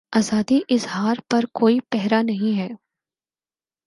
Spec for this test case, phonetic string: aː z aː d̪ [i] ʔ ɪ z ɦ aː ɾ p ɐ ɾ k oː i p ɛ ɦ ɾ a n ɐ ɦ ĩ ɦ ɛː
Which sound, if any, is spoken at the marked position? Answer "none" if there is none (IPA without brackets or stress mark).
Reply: i